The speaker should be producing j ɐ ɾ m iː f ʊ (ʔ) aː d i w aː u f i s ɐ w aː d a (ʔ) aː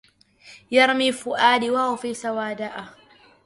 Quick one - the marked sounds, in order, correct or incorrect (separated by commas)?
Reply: correct, correct